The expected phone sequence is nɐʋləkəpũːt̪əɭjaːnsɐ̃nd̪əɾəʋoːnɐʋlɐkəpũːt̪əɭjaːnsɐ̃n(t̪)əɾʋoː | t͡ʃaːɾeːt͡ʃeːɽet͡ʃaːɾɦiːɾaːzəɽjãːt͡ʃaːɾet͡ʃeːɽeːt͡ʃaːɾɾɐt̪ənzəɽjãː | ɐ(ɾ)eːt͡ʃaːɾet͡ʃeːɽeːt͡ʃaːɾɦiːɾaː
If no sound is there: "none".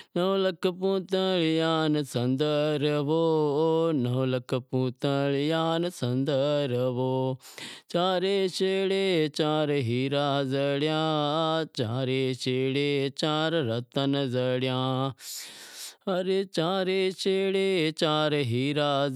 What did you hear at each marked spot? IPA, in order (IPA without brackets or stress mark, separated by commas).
d̪, ɾ